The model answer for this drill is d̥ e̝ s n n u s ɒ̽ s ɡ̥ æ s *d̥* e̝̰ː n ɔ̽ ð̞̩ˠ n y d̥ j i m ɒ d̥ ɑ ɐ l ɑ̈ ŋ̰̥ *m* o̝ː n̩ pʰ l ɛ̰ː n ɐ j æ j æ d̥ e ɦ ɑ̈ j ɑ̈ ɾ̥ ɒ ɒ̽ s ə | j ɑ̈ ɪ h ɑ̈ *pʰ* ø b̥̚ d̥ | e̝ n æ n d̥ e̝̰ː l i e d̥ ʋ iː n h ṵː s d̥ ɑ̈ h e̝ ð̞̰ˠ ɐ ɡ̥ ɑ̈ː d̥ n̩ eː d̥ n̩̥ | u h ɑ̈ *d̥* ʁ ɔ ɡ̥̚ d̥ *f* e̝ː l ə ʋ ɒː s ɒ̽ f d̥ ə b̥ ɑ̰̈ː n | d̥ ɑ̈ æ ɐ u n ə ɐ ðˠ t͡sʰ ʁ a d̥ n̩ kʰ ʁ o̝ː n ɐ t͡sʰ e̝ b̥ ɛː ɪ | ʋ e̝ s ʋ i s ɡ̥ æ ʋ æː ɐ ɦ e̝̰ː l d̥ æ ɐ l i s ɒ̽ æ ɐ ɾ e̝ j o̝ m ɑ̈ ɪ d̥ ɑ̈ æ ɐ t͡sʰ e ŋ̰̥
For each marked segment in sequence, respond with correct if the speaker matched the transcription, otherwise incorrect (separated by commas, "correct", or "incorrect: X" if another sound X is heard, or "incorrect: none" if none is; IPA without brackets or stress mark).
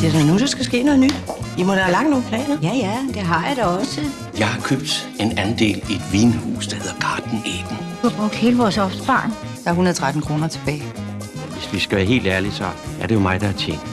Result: incorrect: ɡ̥, incorrect: n, incorrect: kʰ, incorrect: b̥, incorrect: h